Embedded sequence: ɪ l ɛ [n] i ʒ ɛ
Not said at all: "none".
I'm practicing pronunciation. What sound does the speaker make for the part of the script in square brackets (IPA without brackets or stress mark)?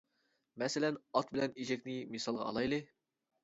n